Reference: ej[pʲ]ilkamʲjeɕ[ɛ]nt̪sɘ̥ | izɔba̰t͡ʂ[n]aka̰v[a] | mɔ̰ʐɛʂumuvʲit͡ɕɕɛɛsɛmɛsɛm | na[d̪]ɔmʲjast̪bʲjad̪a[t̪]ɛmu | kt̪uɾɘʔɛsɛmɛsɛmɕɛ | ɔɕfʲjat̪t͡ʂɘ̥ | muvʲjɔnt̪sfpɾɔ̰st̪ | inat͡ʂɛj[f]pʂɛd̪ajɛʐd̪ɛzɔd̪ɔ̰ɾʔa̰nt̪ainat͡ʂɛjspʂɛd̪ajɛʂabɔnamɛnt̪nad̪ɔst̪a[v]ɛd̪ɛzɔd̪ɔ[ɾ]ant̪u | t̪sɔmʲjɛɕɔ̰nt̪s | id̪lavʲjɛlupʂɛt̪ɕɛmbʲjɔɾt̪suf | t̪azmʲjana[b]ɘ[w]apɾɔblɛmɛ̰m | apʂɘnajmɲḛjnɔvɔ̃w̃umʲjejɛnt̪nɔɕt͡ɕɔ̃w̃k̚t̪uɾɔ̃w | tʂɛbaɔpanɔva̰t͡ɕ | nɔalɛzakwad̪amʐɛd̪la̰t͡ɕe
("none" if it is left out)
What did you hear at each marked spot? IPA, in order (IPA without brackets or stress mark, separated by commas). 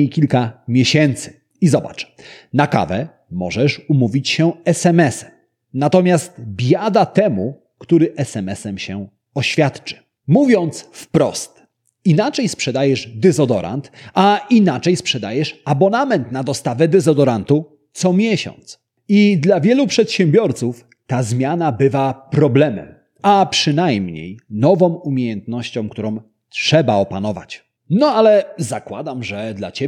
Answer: kʲ, ɛ, n, ɛ, t̪, t̪, s, v, ɾ, b, v